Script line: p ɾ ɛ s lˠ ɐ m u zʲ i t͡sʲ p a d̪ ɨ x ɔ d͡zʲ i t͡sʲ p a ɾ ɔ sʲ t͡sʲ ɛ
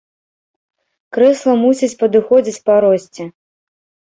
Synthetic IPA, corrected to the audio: k ɾ ɛ s lˠ ɐ m u sʲ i t͡sʲ p ɐ d̪ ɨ x ɔ d͡zʲ i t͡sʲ p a ɾ ɔ sʲ t͡sʲ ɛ